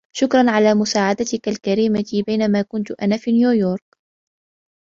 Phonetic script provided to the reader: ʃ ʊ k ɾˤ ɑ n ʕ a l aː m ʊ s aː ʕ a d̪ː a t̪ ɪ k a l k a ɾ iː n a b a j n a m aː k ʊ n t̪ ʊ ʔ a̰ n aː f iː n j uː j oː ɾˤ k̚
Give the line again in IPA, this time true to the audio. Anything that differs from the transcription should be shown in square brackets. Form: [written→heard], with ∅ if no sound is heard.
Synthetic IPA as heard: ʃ ʊ k ɾˤ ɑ n ʕ a l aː m ʊ s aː ʕ a [d̪ː→d̪] a t̪ ɪ k a l k a ɾ iː [n→m] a b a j n a m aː k ʊ n t̪ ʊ ʔ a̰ n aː f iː n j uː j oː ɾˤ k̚